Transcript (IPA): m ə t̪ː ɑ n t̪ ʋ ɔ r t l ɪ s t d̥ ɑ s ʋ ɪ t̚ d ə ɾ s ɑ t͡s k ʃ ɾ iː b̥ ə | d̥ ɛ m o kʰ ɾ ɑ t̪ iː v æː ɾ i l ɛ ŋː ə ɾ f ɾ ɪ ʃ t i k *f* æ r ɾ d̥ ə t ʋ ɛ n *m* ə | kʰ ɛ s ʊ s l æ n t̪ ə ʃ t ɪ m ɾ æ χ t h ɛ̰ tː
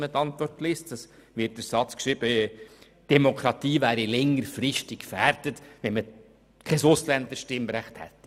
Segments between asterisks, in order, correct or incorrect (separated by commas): correct, correct